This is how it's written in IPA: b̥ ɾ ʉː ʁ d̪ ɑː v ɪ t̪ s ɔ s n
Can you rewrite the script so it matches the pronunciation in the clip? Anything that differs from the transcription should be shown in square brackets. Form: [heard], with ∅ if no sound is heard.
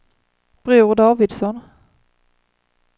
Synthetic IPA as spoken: b̥ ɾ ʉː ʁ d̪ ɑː v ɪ [d̪] s ɔ [∅] n

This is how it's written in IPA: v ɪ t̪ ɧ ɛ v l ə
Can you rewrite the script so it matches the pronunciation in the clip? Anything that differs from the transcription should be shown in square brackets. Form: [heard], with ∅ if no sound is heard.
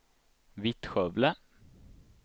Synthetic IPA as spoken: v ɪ t̪ ɧ [œ] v l ə

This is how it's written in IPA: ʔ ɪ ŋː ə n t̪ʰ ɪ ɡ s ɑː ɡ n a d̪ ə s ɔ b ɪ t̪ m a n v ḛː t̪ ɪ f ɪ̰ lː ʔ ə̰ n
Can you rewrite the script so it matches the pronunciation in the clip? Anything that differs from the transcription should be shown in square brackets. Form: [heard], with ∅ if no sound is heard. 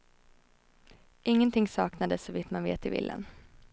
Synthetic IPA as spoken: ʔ ɪ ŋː ə n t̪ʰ ɪ [ŋ] s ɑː [k] n a d̪ ə s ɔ [v] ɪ t̪ m a n v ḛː t̪ ɪ [v] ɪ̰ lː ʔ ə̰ n

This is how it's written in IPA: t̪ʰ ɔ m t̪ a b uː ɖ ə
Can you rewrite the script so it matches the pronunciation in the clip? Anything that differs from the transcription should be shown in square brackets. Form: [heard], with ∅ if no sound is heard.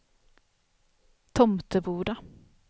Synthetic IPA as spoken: t̪ʰ ɔ m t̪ [ə] b uː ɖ [a]

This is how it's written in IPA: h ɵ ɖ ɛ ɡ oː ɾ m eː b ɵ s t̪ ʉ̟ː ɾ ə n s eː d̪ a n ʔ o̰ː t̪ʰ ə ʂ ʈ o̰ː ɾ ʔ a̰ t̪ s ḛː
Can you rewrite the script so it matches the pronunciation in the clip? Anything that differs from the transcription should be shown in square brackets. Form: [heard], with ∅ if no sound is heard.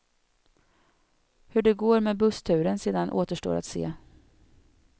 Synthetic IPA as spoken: h ɵ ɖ ɛ ɡ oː ɾ m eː b ɵ s [t̪ʰ] ʉ̟ː ɾ ə n s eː d̪ a n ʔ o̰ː [t̪] ə ʂ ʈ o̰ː ɾ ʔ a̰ t̪ s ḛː

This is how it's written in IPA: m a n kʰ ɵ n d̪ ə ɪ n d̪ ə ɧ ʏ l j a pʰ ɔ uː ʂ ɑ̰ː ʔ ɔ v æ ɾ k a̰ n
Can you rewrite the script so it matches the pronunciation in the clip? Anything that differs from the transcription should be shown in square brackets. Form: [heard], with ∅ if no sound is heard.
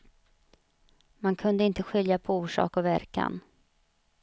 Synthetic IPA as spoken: m a n kʰ ɵ n d̪ ə ɪ n [t̪] ə ɧ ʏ l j a pʰ ɔ uː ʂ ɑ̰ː [k] ɔ v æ ɾ k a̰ n

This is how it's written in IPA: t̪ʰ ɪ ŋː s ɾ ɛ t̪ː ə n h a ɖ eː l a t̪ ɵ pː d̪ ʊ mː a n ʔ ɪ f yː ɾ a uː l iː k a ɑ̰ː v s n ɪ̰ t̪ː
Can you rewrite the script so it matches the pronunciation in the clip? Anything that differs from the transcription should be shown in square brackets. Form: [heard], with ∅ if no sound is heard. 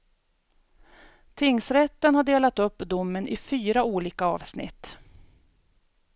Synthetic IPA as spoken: t̪ʰ ɪ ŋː s ɾ ɛ t̪ː ə n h a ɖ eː l a t̪ ɵ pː d̪ ʊ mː [ə] n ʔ ɪ f yː ɾ a uː l iː k a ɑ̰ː v s n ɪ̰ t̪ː

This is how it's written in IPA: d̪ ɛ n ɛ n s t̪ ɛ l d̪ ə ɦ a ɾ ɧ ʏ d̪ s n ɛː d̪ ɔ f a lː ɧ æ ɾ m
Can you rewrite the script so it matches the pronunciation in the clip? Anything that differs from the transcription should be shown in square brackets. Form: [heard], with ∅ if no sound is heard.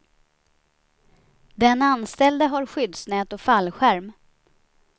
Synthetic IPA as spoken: d̪ ɛ n [a] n s t̪ ɛ l d̪ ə ɦ a ɾ ɧ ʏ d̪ s n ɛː [t̪] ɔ f a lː ɧ æ ɾ m

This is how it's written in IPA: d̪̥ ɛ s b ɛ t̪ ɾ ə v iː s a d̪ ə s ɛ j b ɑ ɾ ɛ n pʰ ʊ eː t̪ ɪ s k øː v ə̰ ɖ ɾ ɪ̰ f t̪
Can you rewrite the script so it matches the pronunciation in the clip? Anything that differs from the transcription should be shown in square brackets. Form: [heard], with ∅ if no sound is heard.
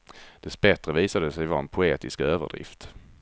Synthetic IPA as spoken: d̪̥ ɛ s b ɛ t̪ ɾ ə v iː s a d̪ ə s ɛ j [v] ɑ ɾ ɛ n pʰ ʊ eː t̪ ɪ s k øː v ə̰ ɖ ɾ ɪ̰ f t̪

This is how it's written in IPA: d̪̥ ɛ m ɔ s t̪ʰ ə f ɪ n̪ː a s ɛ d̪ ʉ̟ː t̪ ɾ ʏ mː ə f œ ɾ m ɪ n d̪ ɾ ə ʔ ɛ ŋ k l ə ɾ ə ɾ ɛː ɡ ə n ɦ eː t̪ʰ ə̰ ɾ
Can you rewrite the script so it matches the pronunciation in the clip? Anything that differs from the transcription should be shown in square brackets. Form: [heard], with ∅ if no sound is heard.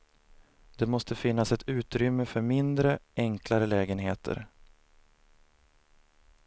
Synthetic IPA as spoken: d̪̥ ɛ m ɔ s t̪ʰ ə f ɪ n̪ː a s ɛ [t̪] ʉ̟ː t̪ ɾ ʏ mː ə f œ ɾ m ɪ n d̪ ɾ ə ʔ ɛ ŋ k l [a] ɾ ə [l] ɛː ɡ ə n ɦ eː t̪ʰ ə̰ ɾ

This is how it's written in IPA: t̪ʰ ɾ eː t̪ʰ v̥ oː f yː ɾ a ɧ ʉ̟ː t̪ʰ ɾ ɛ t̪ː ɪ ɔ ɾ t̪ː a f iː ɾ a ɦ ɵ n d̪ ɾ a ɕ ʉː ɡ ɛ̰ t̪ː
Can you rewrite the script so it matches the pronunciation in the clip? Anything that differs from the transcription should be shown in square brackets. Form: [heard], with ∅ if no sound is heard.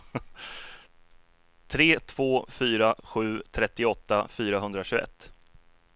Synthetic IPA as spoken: t̪ʰ ɾ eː t̪ʰ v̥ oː f yː ɾ a ɧ ʉ̟ː t̪ʰ ɾ ɛ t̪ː ɪ ɔ [∅] t̪ː a f [yː] ɾ a ɦ ɵ n d̪ ɾ a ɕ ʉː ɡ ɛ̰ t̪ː

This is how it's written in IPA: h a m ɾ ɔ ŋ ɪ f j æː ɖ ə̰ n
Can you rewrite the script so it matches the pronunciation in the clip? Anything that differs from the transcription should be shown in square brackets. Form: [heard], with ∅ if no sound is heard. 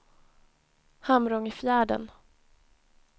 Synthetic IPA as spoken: h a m ɾ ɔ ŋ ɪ f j æː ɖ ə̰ n

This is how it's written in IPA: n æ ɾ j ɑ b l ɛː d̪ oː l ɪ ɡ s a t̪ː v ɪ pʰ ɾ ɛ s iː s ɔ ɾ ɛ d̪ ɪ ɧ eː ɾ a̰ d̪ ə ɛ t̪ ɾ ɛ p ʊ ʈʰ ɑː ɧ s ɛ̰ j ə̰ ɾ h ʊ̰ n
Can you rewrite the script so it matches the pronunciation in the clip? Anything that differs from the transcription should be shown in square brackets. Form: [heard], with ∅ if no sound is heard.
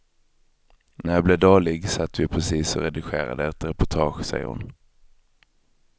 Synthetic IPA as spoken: n æ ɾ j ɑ b l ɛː d̪ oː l ɪ ɡ s a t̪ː v ɪ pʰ ɾ ɛ s iː s ɔ ɾ ɛ d̪ ɪ ɧ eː ɾ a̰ d̪ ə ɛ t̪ ɾ ɛ p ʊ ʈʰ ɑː ɧ s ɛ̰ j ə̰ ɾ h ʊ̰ n

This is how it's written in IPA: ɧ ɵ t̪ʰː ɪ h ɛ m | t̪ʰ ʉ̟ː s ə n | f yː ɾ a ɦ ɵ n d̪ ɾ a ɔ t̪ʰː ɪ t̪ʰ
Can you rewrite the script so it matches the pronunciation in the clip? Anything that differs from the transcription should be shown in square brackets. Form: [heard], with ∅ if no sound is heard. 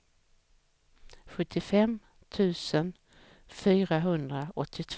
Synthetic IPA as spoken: ɧ ɵ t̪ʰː ɪ [f] ɛ m | t̪ʰ ʉ̟ː s ə n | f yː ɾ a ɦ ɵ n d̪ ɾ a ɔ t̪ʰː ɪ t̪ʰ

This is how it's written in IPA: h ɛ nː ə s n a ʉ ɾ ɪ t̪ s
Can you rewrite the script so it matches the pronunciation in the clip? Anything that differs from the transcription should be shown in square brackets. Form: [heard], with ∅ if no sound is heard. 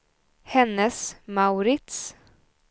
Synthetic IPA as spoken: h ɛ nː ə s [m] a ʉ ɾ ɪ t̪ s

